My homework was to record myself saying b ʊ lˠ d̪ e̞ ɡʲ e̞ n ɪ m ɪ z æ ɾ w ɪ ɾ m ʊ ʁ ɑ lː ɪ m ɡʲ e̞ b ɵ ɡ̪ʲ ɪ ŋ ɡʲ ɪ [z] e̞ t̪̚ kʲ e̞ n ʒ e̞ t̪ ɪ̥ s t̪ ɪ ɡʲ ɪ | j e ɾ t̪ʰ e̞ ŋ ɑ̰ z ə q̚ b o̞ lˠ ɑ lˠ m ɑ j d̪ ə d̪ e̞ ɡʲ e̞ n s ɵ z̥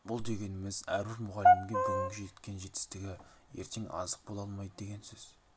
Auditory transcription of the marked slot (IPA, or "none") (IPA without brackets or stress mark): ʒ